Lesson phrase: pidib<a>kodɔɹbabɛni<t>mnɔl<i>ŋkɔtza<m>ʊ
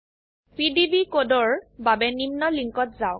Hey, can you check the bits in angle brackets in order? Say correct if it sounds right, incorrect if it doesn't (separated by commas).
incorrect, incorrect, correct, incorrect